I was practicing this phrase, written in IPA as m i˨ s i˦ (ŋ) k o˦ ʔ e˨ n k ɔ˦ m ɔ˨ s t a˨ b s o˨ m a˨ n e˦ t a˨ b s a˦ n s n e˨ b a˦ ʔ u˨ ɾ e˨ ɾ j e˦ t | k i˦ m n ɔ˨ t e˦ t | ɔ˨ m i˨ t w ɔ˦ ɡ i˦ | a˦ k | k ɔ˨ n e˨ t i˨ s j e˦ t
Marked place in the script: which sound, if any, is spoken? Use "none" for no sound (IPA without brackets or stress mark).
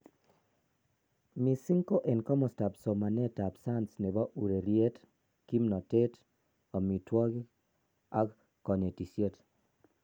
ŋ